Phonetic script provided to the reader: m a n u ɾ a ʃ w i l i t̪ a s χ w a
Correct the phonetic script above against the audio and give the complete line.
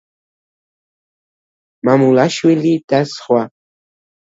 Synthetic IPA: m a m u l a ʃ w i l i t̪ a s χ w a